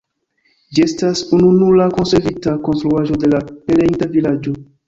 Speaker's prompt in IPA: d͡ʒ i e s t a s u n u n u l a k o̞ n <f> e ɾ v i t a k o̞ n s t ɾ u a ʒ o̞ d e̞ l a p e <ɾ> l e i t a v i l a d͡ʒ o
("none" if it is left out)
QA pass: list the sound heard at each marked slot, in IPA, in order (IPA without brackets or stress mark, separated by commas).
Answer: s, none